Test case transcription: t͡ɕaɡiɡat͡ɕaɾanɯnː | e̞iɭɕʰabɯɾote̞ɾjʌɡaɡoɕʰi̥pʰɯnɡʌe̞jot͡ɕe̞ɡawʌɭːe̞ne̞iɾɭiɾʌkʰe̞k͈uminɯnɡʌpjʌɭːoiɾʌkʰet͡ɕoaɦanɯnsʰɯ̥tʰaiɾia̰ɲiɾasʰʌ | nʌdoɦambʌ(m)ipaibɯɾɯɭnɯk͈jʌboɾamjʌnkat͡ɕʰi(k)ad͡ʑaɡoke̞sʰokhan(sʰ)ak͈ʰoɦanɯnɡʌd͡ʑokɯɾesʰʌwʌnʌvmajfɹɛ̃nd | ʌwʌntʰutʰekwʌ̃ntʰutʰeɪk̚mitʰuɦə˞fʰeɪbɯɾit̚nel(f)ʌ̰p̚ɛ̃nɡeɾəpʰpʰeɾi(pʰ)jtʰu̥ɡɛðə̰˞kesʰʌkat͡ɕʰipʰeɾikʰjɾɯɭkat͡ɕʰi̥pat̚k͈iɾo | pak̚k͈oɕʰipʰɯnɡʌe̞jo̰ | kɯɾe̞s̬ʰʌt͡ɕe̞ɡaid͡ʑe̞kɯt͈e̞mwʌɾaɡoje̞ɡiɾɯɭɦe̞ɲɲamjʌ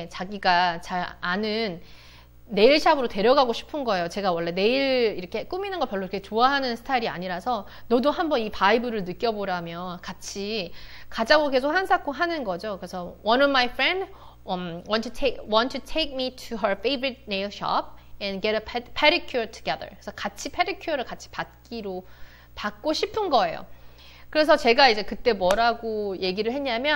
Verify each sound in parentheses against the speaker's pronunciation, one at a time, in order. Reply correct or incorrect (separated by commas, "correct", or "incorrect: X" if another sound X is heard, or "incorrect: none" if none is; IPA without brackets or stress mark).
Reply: incorrect: n, correct, correct, incorrect: ɕ, incorrect: kʰ